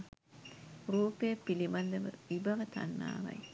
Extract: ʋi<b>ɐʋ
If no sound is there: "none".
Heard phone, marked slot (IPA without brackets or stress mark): b